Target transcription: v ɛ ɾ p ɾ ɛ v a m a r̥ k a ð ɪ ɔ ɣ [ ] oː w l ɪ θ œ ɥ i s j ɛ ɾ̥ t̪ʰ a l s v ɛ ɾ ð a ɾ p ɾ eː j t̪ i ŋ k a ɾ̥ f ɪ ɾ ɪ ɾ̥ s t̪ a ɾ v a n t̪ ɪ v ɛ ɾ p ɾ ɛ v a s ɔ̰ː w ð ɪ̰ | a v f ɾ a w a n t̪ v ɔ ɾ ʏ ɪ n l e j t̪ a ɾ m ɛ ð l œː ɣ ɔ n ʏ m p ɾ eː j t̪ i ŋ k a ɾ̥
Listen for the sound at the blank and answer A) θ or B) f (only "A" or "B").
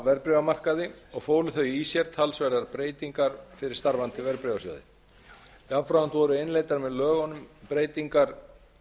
B